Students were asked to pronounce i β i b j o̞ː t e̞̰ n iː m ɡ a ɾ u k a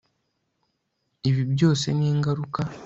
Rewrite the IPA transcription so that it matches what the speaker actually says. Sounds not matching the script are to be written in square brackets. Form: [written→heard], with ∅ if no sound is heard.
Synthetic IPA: i β i b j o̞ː [t→s] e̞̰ n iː [m→ŋ] ɡ a ɾ u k a